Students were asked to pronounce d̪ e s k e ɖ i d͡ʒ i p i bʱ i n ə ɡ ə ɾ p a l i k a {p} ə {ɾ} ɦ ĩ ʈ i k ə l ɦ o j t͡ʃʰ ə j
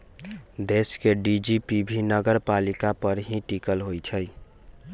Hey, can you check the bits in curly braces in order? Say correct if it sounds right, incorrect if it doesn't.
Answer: correct, correct

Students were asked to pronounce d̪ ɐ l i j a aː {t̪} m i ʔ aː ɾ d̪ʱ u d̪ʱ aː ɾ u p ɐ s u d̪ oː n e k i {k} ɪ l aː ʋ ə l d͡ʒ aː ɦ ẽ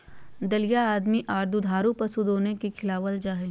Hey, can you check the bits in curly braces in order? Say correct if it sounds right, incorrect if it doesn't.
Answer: incorrect, incorrect

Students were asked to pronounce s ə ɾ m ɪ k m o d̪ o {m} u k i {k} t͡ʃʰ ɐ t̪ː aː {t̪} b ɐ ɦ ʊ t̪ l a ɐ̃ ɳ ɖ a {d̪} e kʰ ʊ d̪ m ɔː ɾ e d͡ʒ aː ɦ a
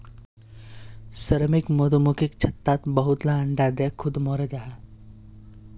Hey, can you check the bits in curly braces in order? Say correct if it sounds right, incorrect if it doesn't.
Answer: correct, correct, correct, correct

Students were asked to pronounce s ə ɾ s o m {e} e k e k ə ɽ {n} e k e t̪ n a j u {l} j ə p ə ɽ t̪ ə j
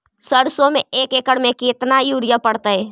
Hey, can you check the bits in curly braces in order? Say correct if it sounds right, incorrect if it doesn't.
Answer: correct, incorrect, incorrect

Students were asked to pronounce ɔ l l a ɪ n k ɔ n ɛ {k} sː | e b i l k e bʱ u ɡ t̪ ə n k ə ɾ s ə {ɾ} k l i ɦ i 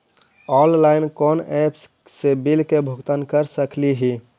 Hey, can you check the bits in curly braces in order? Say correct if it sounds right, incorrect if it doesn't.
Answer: incorrect, incorrect

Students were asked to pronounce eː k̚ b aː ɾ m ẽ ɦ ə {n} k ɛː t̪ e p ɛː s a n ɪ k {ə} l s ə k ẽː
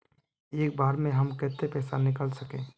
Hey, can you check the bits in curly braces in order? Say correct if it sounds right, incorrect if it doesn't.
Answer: incorrect, correct

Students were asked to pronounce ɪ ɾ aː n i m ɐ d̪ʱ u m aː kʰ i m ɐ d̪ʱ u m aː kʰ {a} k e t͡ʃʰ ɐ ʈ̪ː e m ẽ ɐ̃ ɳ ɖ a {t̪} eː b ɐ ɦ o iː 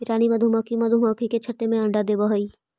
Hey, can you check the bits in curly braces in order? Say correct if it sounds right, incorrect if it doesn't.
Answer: incorrect, incorrect

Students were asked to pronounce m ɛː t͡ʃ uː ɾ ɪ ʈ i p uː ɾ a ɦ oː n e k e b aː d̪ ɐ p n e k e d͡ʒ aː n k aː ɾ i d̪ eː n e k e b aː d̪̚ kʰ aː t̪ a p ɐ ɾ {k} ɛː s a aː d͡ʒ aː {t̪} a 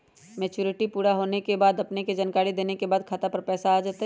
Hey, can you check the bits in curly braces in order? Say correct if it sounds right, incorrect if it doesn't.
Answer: incorrect, correct

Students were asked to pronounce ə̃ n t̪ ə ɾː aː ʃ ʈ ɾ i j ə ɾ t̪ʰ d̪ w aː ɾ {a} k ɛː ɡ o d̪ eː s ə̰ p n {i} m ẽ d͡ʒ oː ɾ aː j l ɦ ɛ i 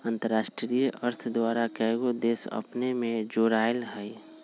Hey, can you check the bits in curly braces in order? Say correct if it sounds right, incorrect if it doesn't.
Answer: correct, incorrect

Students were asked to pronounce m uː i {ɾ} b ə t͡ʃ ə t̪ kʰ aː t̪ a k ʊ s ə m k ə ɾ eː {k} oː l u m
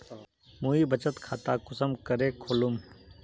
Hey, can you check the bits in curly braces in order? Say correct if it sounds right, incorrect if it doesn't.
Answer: incorrect, incorrect

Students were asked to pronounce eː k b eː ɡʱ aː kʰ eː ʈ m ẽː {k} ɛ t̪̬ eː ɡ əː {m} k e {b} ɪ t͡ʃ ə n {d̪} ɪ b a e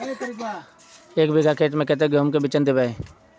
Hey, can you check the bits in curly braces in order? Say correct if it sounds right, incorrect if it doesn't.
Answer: correct, correct, correct, correct

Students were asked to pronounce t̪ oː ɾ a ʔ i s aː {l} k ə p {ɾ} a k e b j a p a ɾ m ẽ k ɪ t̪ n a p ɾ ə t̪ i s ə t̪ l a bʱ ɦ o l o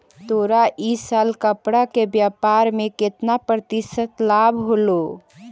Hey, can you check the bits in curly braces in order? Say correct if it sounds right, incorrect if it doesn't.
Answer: correct, incorrect

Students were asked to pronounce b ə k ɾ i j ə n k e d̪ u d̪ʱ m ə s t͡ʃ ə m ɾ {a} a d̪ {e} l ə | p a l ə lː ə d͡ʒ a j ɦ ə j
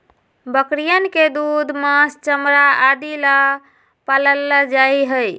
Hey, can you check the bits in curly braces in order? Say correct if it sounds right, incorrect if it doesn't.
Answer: correct, incorrect

